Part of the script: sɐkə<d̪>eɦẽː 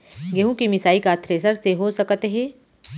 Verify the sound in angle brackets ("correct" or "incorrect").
incorrect